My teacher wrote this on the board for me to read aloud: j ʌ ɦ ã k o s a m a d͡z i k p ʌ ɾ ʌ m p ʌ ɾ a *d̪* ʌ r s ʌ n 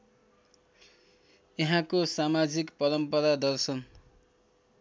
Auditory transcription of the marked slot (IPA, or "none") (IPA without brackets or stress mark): d̪